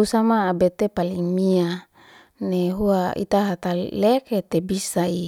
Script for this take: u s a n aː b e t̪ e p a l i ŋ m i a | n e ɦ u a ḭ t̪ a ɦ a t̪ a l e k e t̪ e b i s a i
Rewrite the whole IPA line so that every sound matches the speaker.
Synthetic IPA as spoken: u s a m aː b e t̪ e p a l i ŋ m i a | n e ɦ u a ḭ t̪ a ɦ a t̪ a l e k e t̪ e b i s a i